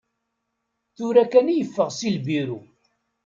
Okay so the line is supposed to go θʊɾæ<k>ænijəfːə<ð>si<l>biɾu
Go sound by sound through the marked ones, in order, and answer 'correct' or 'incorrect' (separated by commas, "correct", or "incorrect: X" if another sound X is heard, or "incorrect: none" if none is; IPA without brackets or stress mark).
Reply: correct, incorrect: ʁ, correct